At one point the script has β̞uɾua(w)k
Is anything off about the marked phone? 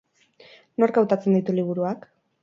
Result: yes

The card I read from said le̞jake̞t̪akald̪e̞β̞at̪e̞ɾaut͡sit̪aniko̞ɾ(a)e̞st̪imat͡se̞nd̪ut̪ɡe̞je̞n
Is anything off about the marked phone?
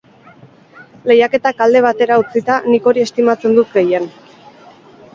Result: yes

